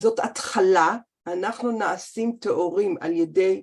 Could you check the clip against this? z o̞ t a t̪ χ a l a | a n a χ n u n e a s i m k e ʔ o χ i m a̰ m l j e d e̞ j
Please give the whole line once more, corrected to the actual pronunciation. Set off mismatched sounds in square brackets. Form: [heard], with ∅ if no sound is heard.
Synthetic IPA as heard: z o̞ t a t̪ χ a l a | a n a χ n u n [a] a s i m [t] e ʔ o [ʁ] i m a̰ [∅] l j e d e̞ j